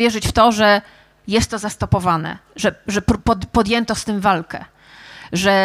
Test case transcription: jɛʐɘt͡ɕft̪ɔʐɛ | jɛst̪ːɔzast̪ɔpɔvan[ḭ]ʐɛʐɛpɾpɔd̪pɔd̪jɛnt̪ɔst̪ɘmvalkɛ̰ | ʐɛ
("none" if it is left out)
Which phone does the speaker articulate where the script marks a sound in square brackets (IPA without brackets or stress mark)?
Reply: ɛ̰